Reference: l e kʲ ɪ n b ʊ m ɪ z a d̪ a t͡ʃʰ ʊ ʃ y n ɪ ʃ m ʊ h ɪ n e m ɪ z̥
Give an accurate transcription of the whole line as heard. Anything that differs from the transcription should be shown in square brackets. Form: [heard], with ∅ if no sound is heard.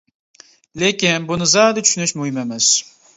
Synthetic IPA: l e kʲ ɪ n b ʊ [n] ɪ z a d̪ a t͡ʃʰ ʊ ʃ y n ɪ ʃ m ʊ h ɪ [m] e m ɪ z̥